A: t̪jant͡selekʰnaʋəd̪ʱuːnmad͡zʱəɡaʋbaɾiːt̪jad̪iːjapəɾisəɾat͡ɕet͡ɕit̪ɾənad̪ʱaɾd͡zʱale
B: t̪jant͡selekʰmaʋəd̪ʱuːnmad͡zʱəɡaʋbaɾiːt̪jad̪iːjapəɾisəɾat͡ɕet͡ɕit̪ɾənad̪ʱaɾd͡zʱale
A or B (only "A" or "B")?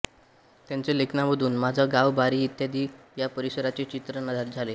A